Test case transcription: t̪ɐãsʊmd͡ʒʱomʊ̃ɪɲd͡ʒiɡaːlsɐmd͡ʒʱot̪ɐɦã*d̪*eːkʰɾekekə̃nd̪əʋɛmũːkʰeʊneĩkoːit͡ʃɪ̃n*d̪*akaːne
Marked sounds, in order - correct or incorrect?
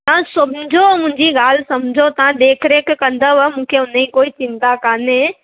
correct, incorrect: t̪

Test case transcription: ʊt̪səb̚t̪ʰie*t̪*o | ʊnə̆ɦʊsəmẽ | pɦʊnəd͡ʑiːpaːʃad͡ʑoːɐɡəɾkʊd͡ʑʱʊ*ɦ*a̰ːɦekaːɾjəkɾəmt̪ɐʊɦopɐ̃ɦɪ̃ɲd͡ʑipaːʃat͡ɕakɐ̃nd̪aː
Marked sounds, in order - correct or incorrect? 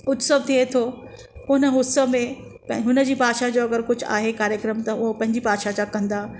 incorrect: t̪ʰ, incorrect: none

